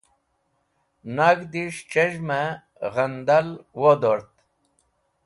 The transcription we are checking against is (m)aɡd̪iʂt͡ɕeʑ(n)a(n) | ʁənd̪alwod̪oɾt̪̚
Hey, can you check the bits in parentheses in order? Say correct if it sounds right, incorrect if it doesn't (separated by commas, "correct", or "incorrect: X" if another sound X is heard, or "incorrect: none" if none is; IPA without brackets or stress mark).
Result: incorrect: n, incorrect: m, incorrect: none